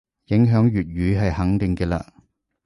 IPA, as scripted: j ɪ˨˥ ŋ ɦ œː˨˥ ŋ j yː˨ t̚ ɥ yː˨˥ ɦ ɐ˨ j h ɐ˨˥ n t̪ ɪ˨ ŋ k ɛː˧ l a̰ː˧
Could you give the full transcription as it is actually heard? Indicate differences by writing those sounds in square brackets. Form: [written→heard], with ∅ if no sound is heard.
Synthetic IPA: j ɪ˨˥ ŋ ɦ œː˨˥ ŋ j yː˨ t̚ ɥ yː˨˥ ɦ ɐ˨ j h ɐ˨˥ [n→ŋ] t̪ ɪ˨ ŋ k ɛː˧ l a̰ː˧